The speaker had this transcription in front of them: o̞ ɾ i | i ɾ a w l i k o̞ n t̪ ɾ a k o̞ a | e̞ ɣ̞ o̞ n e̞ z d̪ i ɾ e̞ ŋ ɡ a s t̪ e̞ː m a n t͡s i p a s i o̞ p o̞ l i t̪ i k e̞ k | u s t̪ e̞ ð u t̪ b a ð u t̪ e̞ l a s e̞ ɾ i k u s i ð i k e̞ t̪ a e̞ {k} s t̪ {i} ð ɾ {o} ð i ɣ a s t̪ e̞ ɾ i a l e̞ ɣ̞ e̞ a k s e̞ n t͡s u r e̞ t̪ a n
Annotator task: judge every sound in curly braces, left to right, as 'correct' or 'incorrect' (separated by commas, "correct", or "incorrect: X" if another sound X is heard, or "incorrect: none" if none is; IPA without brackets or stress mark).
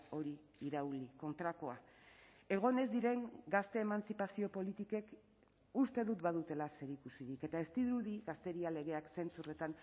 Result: incorrect: none, correct, incorrect: u